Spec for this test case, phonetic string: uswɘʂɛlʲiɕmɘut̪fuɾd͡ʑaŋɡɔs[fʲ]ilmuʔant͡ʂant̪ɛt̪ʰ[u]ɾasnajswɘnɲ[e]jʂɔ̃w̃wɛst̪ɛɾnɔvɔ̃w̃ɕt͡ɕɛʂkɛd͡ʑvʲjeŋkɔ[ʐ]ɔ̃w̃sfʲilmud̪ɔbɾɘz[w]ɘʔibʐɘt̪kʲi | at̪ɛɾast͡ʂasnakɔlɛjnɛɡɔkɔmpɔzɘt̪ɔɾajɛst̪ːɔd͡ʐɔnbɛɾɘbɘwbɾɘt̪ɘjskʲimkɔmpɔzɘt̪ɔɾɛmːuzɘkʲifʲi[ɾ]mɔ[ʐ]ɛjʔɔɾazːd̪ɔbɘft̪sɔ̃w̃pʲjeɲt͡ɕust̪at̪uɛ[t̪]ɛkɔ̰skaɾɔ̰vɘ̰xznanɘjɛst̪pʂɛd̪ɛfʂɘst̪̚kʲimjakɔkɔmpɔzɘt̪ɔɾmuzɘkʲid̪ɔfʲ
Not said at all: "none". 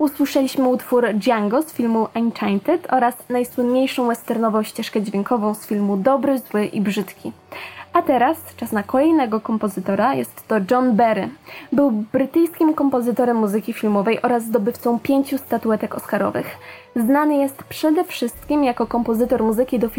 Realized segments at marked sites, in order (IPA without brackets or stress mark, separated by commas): fʲ, ɔ, e, v, w, l, v, t̪